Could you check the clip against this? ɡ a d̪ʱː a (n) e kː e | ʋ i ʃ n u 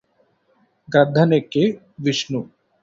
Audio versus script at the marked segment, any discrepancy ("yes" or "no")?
no